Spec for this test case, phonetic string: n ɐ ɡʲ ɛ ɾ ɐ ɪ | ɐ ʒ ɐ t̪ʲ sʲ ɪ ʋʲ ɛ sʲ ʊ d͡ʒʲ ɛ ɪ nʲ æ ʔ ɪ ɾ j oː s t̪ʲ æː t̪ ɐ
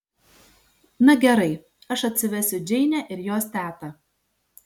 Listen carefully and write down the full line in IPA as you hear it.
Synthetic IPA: n ɐ ɡʲ ɛ ɾ ɐ ɪ | ɐ ʃ ɐ t̪ʲ sʲ ɪ ʋʲ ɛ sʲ ʊ d͡ʒʲ ɛ ɪ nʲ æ ʔ ɪ ɾ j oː s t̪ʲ æː t̪ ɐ